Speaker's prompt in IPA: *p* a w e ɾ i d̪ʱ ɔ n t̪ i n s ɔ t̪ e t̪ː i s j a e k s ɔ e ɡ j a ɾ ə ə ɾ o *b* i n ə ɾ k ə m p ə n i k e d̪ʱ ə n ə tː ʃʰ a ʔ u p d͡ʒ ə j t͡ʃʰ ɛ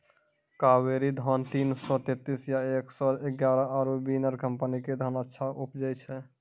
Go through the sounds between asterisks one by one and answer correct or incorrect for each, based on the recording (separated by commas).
incorrect, correct